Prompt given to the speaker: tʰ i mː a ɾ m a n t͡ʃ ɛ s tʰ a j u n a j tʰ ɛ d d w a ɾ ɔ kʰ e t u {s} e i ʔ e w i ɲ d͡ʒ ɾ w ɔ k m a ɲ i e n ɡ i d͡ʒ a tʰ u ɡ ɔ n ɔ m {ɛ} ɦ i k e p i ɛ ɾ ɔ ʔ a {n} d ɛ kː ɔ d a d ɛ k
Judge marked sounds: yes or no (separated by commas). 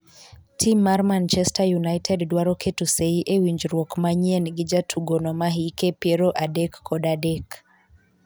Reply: yes, no, no